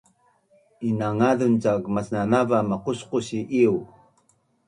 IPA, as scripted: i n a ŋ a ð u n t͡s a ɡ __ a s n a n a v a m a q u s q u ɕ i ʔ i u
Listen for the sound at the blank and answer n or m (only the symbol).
m